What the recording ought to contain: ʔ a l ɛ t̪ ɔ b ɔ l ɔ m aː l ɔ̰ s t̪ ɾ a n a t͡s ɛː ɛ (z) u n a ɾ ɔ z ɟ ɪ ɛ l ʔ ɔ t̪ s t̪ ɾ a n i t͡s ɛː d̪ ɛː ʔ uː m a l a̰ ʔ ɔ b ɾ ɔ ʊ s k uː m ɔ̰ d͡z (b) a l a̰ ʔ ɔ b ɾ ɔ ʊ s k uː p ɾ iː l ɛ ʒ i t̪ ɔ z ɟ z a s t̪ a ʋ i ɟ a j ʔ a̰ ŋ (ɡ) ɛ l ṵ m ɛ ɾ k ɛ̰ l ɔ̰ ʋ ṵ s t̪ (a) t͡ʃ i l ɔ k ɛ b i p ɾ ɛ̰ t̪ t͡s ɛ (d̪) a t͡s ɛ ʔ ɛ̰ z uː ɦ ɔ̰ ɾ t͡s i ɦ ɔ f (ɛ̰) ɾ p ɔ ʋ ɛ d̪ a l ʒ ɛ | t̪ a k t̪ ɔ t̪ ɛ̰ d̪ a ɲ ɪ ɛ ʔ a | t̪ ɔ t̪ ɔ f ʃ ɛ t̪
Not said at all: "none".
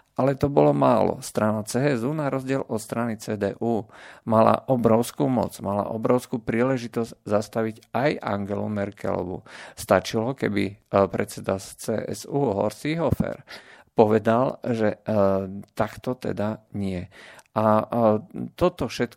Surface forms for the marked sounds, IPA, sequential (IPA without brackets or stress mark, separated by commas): z, m, ɡ, a, d̪, ɛ̰